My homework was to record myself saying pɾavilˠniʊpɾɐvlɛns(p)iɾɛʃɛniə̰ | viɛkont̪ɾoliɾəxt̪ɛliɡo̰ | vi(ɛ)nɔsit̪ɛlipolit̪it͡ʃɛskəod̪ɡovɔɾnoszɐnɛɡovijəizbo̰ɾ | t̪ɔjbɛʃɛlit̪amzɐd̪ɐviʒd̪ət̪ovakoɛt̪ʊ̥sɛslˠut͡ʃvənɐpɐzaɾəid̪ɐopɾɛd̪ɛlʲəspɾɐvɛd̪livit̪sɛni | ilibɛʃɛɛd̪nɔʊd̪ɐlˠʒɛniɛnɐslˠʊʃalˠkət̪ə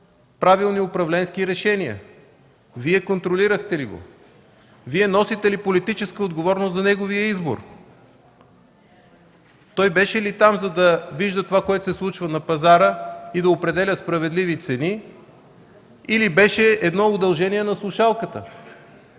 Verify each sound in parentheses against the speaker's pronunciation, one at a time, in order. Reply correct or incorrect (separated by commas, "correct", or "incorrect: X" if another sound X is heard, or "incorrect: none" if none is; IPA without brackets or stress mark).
incorrect: k, correct